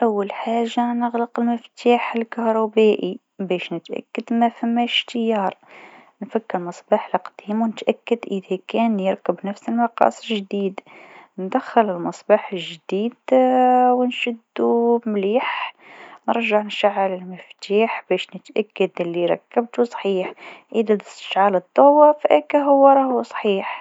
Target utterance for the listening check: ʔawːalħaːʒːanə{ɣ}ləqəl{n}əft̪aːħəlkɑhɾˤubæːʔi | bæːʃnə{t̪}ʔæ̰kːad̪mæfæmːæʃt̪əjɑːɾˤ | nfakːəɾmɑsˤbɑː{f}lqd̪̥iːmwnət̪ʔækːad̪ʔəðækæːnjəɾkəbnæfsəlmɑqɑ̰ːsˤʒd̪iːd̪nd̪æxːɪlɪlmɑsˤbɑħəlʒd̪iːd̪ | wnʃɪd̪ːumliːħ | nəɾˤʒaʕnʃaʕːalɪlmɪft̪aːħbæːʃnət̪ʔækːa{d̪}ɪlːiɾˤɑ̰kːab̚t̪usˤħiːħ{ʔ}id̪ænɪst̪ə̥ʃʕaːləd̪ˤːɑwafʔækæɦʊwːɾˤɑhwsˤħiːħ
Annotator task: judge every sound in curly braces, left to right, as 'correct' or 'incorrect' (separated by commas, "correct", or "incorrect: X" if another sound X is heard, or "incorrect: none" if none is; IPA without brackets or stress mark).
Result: correct, incorrect: m, correct, incorrect: ħ, correct, correct